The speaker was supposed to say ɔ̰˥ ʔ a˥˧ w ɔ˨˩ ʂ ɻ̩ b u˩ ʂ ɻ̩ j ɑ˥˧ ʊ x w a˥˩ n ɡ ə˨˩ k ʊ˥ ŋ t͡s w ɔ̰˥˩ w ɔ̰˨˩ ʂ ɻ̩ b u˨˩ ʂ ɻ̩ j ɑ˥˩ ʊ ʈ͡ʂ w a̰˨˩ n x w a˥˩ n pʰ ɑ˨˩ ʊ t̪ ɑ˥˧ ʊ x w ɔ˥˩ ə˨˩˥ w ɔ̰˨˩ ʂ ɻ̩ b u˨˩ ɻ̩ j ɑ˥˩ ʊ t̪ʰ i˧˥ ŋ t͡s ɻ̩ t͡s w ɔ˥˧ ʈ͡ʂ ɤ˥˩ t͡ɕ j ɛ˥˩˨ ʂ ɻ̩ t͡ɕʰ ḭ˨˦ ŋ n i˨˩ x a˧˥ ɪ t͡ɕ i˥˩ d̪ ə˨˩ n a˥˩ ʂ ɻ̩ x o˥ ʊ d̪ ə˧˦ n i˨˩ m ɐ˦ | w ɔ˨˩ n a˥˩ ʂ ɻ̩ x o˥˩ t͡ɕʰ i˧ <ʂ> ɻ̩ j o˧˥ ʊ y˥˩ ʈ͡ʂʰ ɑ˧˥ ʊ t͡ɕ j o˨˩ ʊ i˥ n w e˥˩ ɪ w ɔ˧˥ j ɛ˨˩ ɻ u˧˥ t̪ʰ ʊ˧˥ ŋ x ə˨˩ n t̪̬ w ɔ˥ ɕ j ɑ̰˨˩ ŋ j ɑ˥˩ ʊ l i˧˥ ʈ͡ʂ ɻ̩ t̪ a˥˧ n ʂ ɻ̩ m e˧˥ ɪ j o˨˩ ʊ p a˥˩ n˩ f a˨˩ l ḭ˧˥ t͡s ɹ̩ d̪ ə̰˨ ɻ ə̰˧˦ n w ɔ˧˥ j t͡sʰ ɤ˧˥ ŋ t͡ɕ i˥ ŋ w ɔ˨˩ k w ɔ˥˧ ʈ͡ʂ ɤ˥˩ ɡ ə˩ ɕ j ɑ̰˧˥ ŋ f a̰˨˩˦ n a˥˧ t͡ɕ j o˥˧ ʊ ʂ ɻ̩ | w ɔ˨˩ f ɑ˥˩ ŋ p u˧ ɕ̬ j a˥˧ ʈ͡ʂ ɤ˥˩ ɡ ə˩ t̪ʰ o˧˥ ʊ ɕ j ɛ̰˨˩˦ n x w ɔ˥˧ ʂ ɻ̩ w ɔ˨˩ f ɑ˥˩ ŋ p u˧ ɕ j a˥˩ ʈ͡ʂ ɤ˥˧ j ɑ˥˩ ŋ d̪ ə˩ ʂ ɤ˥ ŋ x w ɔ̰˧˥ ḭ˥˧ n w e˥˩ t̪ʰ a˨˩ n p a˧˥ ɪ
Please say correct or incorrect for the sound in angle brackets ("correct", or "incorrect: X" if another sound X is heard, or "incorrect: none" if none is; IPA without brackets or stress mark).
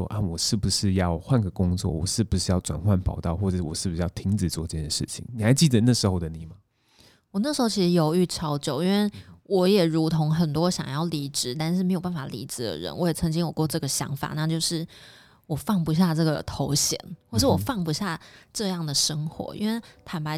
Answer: correct